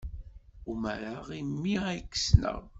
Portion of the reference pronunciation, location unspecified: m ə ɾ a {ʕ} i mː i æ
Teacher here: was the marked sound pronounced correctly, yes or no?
no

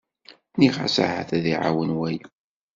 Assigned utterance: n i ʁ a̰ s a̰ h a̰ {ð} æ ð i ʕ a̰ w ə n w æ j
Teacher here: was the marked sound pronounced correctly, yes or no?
no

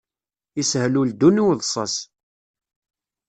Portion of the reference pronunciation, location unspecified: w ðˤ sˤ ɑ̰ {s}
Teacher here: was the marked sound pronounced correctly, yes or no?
yes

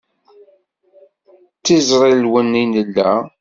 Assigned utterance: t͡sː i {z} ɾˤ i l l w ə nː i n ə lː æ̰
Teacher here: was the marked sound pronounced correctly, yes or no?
yes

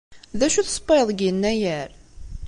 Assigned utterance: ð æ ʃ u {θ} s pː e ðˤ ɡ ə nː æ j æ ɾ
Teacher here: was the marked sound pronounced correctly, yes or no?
yes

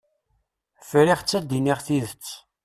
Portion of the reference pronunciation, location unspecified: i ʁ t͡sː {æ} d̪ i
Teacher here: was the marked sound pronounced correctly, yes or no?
yes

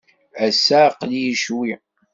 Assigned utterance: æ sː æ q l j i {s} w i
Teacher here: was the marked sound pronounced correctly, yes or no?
no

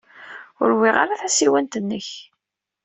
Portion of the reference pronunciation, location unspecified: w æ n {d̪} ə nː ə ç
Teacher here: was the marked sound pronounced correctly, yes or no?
no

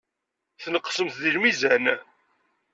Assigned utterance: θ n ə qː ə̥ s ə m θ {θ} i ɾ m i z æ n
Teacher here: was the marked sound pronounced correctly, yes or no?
no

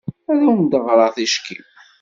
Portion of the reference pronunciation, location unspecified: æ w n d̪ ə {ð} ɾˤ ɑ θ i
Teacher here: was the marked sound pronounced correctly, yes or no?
no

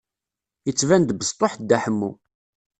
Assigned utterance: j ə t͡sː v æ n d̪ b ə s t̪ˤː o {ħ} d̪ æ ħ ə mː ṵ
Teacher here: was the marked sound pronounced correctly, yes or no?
yes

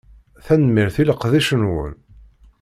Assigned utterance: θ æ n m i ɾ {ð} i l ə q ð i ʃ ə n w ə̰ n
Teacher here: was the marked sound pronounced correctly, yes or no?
no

